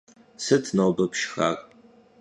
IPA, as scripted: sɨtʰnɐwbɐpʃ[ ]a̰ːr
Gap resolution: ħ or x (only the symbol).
x